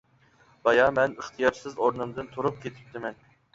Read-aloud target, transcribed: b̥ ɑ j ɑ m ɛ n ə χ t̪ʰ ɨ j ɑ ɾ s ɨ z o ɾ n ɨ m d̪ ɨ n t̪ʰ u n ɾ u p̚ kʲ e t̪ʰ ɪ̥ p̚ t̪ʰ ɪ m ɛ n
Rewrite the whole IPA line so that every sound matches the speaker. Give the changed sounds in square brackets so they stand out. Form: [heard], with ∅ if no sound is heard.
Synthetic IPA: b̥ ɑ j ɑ m ɛ n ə χ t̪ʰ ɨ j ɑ ɾ s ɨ z o ɾ n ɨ m d̪ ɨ n t̪ʰ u [∅] ɾ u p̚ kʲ e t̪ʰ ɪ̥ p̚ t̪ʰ ɪ m ɛ n